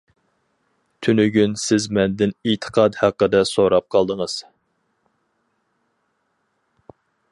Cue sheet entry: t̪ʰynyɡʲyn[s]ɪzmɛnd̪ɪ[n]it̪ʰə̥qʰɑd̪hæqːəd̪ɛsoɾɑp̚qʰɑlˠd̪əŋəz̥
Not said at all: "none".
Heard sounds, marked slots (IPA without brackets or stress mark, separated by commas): s, n